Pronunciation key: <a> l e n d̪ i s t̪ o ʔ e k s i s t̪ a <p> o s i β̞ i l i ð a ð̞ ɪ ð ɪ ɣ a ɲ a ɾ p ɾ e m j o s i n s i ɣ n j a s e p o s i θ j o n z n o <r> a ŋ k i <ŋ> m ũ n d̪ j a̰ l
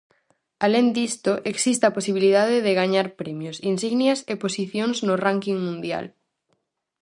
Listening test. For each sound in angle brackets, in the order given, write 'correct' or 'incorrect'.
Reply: correct, correct, correct, correct

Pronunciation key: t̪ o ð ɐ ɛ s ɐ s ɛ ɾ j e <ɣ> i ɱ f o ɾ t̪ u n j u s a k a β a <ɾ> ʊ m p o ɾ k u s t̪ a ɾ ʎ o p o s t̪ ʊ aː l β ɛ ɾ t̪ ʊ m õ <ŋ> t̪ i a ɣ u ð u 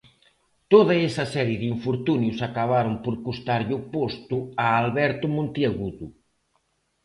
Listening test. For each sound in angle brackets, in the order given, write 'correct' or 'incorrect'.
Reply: incorrect: ð, correct, incorrect: n

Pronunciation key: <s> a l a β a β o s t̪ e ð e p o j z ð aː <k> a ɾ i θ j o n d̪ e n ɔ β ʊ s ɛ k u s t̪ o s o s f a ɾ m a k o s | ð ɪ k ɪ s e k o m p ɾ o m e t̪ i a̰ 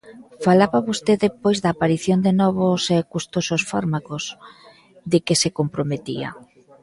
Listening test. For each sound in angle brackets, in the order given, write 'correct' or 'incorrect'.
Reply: incorrect: f, incorrect: p

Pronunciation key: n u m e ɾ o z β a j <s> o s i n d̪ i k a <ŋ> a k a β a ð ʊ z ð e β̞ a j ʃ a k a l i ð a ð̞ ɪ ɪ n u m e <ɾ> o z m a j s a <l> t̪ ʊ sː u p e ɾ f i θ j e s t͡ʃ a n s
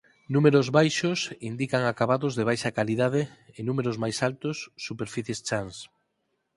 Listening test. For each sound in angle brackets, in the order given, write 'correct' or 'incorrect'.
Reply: incorrect: ʃ, correct, correct, correct

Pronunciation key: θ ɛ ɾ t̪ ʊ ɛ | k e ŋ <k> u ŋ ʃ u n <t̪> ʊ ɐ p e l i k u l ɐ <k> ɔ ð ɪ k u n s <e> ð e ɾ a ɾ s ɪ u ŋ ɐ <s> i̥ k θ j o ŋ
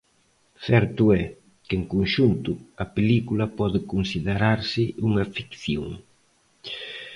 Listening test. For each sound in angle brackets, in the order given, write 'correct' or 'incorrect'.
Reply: correct, correct, incorrect: p, incorrect: i, incorrect: f

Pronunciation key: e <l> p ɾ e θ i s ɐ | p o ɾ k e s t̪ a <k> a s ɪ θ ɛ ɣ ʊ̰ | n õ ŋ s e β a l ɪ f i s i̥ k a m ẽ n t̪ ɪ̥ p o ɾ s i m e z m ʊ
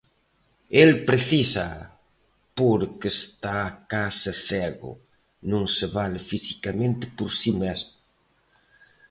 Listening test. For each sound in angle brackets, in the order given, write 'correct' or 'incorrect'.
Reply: correct, correct

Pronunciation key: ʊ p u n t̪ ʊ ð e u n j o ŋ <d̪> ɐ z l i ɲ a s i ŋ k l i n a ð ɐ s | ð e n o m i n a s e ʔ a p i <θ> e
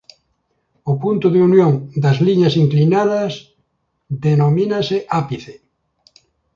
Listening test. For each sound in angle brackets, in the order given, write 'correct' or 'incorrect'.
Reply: correct, correct

